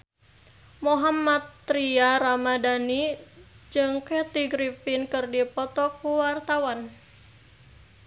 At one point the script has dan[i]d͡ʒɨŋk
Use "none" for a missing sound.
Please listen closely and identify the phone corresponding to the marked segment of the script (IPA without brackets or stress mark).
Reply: i